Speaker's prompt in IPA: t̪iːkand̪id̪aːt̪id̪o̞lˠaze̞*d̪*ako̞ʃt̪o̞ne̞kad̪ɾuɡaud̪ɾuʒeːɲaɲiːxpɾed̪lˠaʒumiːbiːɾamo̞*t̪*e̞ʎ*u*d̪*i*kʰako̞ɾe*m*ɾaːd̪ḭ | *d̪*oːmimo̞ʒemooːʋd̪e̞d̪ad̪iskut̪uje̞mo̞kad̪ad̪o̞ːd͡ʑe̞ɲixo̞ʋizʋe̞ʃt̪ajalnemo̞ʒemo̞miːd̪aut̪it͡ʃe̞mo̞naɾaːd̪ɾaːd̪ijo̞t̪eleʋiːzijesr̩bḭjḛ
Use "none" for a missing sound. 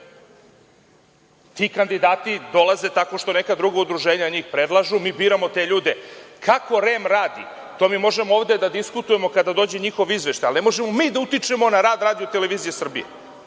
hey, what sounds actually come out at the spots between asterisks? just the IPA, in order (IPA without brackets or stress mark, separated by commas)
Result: t̪, t̪, uː, e, m, t̪